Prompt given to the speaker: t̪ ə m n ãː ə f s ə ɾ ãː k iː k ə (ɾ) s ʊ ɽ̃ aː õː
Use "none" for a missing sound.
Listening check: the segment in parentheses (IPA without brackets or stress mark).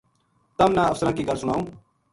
ɾ